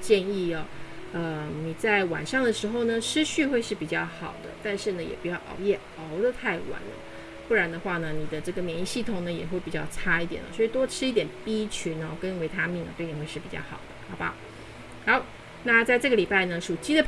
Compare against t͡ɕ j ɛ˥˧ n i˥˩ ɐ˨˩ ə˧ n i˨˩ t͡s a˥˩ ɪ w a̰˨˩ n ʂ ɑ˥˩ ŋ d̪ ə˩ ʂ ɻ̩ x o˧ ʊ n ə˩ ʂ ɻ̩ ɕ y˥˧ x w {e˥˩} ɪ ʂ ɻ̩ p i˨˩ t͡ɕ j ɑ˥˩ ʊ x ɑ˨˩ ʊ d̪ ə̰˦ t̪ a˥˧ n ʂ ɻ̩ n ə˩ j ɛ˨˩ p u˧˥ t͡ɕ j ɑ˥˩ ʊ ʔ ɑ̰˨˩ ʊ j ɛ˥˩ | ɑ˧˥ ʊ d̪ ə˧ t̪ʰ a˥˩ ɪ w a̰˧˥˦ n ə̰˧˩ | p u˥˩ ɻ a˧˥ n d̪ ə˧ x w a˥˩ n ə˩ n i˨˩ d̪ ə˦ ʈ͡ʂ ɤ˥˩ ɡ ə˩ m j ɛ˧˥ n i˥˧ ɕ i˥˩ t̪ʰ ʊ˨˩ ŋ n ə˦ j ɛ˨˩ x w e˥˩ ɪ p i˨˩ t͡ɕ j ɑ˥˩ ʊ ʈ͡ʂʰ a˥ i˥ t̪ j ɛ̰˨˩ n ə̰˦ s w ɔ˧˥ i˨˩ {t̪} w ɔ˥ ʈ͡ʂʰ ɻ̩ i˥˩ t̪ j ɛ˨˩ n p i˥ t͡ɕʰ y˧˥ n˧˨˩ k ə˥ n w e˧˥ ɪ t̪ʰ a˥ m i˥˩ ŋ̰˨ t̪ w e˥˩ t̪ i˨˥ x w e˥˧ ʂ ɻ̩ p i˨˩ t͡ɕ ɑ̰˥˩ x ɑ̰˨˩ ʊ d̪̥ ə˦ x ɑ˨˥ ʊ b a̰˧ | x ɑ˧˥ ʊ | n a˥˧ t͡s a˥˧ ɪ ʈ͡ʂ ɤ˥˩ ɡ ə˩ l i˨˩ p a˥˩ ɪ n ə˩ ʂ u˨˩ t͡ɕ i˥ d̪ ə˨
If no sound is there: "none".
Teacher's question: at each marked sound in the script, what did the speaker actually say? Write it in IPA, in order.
e˥˧, t̪

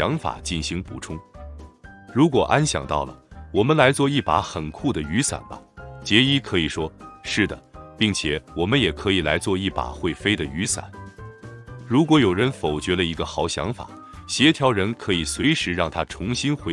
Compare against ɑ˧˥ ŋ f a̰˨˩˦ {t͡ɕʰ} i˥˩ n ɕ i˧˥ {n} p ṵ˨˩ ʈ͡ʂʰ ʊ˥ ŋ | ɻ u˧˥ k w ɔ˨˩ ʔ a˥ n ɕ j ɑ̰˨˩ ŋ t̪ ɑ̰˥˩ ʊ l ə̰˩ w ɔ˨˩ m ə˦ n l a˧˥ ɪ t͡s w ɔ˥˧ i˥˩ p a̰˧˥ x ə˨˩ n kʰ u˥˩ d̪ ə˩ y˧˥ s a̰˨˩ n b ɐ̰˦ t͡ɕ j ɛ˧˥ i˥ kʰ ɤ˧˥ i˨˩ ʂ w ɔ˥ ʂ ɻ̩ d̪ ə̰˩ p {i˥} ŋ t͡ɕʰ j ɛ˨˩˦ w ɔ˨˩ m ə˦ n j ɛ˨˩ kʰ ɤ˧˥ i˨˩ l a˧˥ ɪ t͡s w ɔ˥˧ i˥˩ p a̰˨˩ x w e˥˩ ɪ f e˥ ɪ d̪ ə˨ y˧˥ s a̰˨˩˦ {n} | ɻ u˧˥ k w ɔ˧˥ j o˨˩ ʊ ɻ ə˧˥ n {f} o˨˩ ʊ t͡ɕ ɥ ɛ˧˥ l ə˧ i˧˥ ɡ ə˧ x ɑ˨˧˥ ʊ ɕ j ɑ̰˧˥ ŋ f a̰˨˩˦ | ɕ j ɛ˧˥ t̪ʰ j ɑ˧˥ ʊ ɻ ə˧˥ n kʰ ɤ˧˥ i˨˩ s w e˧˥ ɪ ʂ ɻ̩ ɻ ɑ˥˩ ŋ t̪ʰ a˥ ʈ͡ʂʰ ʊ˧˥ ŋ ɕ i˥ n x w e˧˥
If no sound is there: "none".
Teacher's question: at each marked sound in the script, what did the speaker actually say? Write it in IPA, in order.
t͡ɕ, ŋ, i˥˩, n, f

